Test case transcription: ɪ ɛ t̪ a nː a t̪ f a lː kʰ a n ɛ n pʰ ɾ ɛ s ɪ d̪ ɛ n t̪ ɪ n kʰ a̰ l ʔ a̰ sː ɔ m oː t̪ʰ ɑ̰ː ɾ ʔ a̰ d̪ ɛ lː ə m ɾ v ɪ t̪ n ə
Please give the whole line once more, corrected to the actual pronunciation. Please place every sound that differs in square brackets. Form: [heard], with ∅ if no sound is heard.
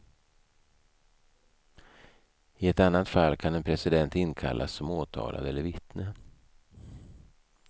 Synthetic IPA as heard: ɪ ɛ t̪ a nː a t̪ f a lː kʰ a n ɛ n pʰ ɾ ɛ s ɪ d̪ ɛ n t̪ ɪ n kʰ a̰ l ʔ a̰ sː ɔ m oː t̪ʰ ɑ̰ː [l] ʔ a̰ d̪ ɛ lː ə [∅] ɾ v ɪ t̪ n ə